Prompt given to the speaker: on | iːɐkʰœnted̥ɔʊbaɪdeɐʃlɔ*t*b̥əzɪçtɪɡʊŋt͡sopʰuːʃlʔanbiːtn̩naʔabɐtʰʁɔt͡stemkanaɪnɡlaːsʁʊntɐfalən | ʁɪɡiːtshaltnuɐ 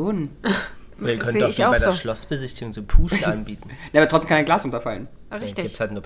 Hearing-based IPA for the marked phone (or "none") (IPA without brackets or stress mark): s